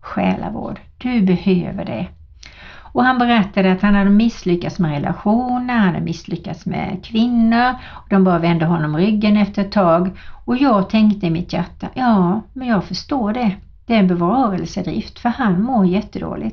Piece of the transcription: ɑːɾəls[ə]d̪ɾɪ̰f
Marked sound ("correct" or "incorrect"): correct